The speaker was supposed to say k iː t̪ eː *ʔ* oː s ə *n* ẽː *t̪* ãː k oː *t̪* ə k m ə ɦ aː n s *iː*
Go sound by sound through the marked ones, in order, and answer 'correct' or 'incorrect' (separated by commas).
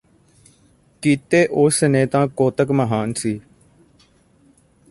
correct, correct, correct, correct, correct